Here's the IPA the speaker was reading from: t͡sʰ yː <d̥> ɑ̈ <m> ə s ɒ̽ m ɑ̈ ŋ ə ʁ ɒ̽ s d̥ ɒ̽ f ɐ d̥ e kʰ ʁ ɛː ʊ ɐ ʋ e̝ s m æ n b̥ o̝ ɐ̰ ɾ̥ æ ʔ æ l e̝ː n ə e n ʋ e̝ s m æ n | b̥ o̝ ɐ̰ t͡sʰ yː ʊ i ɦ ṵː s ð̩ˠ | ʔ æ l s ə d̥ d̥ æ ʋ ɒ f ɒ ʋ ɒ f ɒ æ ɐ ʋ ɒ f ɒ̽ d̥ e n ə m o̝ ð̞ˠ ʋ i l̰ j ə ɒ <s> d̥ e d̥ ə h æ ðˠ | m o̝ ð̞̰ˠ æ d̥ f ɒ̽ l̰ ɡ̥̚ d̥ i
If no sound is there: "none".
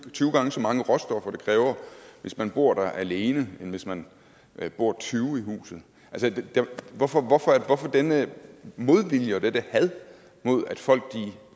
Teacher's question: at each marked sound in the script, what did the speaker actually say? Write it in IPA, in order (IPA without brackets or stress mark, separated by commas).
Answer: ɡ̥, ŋ, none